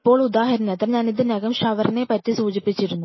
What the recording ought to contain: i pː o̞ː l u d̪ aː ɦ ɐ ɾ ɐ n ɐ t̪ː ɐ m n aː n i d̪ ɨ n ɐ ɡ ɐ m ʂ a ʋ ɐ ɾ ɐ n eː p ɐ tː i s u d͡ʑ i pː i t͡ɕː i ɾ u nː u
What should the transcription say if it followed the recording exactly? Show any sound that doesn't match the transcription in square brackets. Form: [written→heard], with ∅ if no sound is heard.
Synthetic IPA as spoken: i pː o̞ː [l→ɭ] u d̪ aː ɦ ɐ ɾ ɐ n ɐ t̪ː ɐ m [n→ɲ] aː n i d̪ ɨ n ɐ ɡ ɐ m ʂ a ʋ ɐ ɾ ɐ n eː p ɐ tː i s [u→uː] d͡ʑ i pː i t͡ɕː i ɾ u nː u